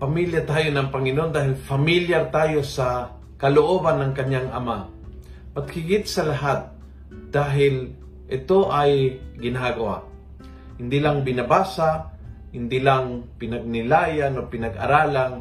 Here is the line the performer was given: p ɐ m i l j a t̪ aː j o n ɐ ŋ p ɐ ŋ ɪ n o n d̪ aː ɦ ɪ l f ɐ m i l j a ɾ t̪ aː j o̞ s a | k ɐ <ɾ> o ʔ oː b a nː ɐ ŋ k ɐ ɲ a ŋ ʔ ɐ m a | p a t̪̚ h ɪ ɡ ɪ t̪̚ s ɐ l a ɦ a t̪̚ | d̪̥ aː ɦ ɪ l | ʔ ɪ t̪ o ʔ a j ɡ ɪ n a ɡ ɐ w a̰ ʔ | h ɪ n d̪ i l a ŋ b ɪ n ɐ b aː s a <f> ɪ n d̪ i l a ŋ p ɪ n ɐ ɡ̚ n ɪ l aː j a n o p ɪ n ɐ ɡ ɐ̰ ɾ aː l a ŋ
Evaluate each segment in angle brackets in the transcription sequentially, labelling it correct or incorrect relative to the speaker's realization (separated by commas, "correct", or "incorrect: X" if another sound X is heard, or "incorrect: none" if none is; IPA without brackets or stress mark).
incorrect: l, incorrect: h